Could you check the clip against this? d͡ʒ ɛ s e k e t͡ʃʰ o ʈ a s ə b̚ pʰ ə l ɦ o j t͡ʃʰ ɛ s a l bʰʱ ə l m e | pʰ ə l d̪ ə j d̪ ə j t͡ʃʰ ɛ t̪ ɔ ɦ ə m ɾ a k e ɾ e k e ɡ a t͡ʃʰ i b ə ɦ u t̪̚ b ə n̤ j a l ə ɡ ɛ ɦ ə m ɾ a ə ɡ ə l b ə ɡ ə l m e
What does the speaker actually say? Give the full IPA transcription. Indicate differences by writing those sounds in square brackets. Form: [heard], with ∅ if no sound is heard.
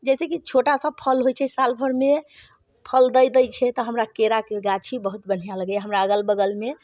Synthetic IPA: d͡ʒ ɛ s e k [i] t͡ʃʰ o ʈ a s ə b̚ pʰ ə l ɦ o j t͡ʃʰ ɛ s a l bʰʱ ə [ɾ] m e | pʰ ə l d̪ ə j d̪ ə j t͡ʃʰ ɛ t̪ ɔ ɦ ə m ɾ a k e ɾ [a] k e ɡ a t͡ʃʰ i b ə ɦ u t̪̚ b ə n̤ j a l ə ɡ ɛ ɦ ə m ɾ a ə ɡ ə l b ə ɡ ə l m e